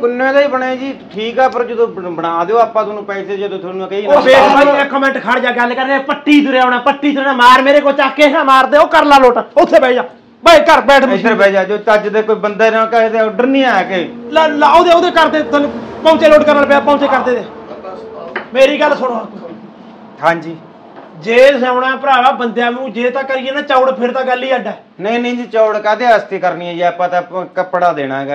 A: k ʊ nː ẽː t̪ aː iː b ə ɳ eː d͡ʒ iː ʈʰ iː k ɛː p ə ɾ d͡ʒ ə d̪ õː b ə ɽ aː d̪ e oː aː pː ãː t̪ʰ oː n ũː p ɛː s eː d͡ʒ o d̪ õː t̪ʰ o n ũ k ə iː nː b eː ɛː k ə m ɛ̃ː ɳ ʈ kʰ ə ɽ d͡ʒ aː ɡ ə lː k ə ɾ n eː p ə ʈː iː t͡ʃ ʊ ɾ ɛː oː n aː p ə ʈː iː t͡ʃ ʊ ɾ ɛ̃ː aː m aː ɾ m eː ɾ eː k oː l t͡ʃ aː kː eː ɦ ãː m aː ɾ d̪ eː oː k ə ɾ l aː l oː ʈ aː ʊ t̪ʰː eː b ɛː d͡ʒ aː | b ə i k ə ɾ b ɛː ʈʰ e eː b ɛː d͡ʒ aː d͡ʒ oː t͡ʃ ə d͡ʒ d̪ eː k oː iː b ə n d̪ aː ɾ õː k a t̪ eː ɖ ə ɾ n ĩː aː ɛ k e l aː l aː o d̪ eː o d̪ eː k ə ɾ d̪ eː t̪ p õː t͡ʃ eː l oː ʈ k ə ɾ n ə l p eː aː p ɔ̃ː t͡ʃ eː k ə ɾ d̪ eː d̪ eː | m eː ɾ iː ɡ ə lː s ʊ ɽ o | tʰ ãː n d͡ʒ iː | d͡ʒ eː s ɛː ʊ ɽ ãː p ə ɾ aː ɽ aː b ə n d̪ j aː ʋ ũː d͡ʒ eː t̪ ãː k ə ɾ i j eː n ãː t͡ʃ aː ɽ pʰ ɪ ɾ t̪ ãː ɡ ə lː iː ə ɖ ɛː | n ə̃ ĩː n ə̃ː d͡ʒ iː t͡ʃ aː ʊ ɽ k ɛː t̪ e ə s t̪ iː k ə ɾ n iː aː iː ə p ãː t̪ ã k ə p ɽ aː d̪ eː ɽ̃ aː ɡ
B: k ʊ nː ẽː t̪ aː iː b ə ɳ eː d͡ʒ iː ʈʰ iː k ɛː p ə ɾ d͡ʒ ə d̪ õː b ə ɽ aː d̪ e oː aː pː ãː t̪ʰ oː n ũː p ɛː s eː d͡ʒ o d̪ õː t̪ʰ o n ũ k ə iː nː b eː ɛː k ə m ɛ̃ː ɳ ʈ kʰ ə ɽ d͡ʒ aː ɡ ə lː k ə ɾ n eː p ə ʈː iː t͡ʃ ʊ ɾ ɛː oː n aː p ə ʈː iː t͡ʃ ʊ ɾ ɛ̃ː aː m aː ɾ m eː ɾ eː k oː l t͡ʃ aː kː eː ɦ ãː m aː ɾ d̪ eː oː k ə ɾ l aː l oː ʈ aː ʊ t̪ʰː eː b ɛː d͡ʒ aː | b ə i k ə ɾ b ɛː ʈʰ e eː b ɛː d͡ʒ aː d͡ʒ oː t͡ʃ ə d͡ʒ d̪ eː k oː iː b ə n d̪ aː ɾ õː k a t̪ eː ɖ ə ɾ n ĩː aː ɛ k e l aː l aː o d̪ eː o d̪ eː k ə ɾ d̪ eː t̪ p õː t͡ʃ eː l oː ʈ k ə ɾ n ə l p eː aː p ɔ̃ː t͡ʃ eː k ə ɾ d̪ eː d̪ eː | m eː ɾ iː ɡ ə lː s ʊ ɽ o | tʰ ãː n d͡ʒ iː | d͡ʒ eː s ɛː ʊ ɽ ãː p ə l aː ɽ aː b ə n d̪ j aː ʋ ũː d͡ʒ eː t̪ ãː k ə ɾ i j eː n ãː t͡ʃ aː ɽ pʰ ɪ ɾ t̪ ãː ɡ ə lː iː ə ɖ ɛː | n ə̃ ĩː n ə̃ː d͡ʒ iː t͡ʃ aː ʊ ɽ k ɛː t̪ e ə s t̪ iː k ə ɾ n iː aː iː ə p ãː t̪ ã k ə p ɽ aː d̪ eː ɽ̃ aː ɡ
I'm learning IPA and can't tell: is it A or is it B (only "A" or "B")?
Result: A